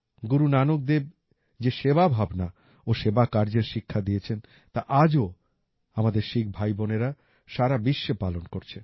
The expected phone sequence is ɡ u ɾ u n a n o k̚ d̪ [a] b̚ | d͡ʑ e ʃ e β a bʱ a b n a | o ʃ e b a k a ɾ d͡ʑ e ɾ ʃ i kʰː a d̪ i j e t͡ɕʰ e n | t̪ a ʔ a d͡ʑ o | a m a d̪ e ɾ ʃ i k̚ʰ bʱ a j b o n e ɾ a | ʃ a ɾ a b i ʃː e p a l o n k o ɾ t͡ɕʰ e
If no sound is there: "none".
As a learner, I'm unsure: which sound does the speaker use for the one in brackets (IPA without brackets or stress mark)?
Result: e